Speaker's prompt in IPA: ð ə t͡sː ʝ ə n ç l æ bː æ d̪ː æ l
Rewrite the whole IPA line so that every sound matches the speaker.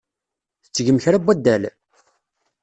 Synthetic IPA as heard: θ ə t͡sː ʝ ə m ç ɾ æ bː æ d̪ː æ l